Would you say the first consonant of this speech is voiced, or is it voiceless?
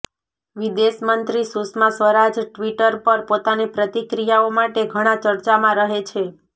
voiced